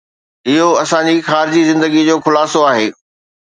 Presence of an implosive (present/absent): absent